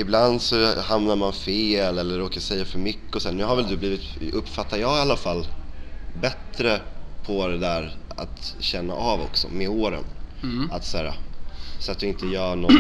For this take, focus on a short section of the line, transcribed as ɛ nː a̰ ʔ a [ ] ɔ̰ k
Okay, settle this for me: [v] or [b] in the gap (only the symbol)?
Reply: v